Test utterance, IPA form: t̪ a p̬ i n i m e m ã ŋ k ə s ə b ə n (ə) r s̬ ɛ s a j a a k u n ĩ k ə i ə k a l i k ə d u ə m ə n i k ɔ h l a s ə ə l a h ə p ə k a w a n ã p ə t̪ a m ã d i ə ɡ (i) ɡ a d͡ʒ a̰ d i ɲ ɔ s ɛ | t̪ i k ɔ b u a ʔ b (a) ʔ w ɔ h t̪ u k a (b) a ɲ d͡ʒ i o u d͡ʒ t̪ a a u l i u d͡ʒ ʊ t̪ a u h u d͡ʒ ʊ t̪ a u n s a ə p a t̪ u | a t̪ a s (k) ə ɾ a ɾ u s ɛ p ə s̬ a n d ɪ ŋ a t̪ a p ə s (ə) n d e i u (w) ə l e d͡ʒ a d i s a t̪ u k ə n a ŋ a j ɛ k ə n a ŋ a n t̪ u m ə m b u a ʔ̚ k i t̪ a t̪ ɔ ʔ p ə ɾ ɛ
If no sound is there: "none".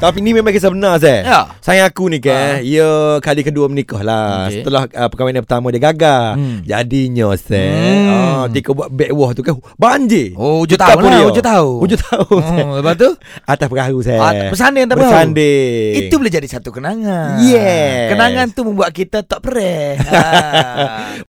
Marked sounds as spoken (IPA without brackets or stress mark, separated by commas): a, a, ɛ, b, p, a, b